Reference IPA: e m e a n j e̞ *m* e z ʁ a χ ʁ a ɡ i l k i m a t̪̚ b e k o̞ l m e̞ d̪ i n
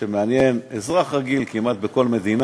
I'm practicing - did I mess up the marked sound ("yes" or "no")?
yes